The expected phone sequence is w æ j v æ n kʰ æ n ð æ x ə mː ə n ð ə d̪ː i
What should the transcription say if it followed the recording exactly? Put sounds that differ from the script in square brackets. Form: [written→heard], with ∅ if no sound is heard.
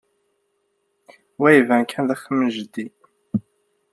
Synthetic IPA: w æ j v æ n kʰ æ n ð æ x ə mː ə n [ð→ʒ] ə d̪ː i

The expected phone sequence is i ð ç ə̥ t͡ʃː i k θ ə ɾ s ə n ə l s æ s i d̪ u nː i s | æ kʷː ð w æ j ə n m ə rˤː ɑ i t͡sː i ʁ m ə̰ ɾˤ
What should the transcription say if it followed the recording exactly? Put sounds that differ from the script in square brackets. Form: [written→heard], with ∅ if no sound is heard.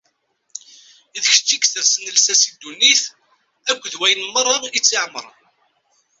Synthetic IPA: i ð ç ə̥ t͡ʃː i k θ ə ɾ s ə n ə l s æ s i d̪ u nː i [s→θ] | æ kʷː ð w æ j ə n m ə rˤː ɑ i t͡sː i [ʁ→ʕ] m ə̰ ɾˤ

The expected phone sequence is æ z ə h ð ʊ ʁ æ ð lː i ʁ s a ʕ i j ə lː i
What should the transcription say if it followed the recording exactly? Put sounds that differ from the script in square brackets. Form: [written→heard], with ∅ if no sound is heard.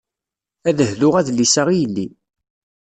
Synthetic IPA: æ [z→ð] ə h ð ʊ ʁ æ ð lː i [ʁ→∅] s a [ʕ→ʁ] i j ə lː i

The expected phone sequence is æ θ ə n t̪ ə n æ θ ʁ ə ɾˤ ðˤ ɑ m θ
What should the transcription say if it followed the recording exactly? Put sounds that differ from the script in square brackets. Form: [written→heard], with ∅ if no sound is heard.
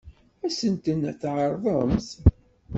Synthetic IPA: æ [θ→s] ə n t̪ ə n æ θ [ʁ→ʕ] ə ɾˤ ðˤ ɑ m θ

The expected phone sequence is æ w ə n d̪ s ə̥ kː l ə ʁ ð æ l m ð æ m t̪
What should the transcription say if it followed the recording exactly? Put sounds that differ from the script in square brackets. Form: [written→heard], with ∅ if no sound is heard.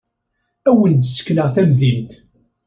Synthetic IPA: æ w ə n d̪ s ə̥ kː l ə ʁ [ð→θ] æ [l→∅] m ð [æ→i] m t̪

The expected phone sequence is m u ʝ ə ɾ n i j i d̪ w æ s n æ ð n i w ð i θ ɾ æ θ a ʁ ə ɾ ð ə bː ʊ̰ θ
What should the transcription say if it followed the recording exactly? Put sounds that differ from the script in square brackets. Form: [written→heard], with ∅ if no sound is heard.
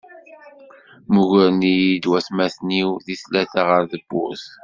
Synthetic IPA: m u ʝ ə ɾ n i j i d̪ w æ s [n→m] æ [ð→θ] n i w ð i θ [ɾ→l] æ θ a ʁ ə ɾ ð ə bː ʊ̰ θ

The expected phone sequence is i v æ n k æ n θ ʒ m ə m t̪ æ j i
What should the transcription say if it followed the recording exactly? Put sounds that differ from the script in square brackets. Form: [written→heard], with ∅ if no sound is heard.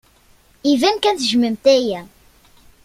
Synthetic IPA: i v æ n k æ n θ ʒ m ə m t̪ æ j [i→æ]

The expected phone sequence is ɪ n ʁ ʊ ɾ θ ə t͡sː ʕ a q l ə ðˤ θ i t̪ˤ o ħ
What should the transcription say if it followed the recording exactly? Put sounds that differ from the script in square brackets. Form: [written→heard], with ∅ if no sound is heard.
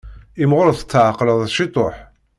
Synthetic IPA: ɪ [n→m] ʁ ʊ ɾ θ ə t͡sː ʕ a q l ə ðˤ [θ→ʃ] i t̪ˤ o ħ

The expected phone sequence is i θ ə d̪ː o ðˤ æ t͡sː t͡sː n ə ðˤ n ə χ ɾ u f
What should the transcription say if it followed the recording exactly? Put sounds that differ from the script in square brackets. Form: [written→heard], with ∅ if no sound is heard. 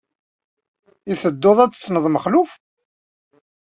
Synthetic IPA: i θ ə d̪ː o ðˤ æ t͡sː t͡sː n ə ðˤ [n→m] ə χ [ɾ→l] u f

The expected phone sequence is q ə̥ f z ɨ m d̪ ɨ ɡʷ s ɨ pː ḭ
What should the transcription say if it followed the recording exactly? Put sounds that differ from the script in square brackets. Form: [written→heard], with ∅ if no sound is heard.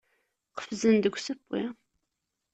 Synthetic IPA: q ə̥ f z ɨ [m→n] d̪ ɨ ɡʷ s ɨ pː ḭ

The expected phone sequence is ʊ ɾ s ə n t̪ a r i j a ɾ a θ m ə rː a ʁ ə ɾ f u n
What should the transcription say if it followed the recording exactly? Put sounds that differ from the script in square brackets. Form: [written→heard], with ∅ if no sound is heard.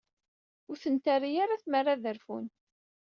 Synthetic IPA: ʊ ɾ [s→θ] ə n t̪ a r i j a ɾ a θ m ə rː a [ʁ→ð] ə ɾ f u n

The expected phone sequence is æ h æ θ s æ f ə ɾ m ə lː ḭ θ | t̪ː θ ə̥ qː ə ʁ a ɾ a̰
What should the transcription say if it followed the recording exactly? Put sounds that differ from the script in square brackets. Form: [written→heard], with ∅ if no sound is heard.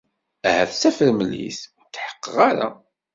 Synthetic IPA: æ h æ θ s æ f ə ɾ m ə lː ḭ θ | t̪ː [θ→ħ] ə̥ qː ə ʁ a ɾ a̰

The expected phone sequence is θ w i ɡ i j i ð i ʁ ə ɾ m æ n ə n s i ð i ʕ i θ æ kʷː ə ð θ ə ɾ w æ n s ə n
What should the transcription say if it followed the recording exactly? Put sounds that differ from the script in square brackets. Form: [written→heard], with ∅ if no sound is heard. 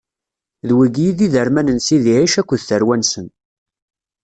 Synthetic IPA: [θ→ð] w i ɡ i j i ð i [ʁ→ð] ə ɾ m æ n ə n s i ð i ʕ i [θ→ʃ] æ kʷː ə ð θ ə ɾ w æ n s ə n

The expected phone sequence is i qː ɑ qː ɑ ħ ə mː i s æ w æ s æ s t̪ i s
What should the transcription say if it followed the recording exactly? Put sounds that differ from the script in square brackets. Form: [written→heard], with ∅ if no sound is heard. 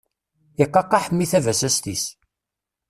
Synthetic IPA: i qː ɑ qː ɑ ħ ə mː i [s→θ] æ [w→v] æ s æ s t̪ i s

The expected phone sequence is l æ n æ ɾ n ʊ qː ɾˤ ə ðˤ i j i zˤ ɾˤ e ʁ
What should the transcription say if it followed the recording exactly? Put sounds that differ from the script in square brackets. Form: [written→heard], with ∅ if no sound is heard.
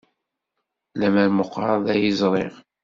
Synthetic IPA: l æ [n→m] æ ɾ [n→m] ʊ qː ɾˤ [ə→ɑ] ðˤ [i→æ] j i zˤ ɾˤ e ʁ

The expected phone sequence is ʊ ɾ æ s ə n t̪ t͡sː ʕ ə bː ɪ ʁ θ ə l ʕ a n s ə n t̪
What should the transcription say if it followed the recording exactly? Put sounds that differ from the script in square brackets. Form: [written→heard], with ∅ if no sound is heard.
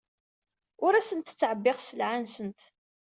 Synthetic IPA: ʊ ɾ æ s ə n t̪ t͡sː ʕ ə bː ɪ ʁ [θ→s] ə l ʕ a n s ə n t̪

